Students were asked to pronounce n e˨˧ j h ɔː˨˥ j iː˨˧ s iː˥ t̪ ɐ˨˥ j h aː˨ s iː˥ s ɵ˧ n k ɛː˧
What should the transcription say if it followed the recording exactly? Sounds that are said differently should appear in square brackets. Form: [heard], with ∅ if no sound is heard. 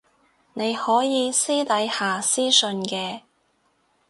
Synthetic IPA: n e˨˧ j h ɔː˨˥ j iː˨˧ s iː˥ t̪ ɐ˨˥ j h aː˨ s iː˥ s ɵ˧ n k ɛː˧